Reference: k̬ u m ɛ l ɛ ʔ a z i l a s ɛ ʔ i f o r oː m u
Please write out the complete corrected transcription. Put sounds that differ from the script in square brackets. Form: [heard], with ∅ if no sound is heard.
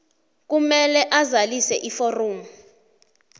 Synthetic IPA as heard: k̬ u m ɛ l ɛ ʔ a z [a] l [i] s ɛ ʔ i f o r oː m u